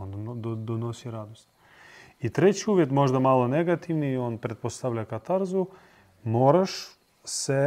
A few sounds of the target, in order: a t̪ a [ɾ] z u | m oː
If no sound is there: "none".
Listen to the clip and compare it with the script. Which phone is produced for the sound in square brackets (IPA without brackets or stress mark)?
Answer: ɾ